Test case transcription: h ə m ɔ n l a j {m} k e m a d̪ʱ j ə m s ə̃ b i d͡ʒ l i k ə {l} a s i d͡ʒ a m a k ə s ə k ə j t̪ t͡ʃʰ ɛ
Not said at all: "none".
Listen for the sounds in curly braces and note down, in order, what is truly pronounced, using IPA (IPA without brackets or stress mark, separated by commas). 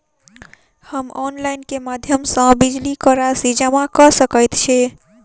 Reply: n, ɾ